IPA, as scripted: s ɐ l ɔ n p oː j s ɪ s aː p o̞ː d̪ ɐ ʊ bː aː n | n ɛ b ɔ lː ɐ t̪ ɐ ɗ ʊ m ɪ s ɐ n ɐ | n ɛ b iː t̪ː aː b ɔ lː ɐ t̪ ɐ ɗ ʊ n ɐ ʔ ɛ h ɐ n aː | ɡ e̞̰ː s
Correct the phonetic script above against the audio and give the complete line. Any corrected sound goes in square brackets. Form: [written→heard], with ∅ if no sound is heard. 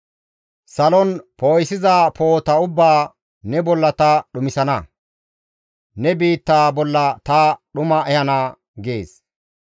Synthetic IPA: s ɐ l ɔ n p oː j s ɪ [s→z] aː p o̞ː [d̪→t̪] ɐ ʊ bː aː [n→∅] | n ɛ b ɔ lː ɐ t̪ ɐ ɗ ʊ m ɪ s ɐ n ɐ | n ɛ b iː t̪ː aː b ɔ lː ɐ t̪ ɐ ɗ ʊ [n→m] ɐ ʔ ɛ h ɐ n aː | ɡ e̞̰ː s